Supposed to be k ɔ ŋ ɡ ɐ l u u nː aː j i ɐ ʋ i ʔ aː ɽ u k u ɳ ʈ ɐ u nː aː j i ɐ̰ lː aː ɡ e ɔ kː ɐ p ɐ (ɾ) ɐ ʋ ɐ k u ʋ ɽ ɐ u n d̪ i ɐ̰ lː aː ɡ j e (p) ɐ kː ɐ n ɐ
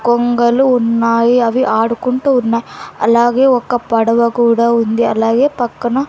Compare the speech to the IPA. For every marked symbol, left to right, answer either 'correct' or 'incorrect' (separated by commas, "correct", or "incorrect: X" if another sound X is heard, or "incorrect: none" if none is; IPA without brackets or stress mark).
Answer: incorrect: ɽ, correct